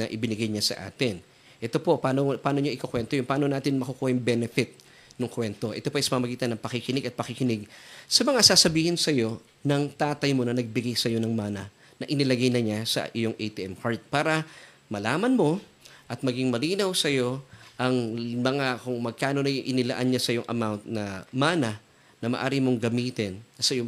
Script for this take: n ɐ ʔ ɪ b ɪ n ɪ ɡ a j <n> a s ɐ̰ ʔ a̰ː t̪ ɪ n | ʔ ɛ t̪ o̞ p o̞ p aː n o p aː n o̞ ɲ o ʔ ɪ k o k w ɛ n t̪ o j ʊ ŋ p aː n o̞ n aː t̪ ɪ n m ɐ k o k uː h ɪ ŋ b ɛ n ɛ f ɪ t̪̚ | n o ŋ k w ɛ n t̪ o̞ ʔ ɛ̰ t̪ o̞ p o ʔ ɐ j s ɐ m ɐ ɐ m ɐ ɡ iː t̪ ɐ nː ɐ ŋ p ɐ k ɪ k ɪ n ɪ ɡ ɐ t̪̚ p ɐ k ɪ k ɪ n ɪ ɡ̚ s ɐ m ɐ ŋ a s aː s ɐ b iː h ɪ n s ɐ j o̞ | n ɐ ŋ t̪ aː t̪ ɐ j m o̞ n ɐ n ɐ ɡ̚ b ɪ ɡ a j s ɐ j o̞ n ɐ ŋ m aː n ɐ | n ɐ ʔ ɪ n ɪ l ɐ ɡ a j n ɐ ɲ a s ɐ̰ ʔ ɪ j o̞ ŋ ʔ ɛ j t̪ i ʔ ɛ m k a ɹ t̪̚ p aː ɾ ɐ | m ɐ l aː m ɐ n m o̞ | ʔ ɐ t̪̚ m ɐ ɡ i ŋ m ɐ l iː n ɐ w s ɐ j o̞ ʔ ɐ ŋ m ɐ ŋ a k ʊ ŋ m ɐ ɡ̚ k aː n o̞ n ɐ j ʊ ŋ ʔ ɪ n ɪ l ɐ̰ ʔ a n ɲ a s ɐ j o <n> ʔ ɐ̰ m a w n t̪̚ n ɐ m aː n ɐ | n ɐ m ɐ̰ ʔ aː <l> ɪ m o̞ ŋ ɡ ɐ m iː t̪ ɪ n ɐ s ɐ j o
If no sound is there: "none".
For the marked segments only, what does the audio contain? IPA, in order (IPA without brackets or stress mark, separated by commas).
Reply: ɲ, ŋ, ɾ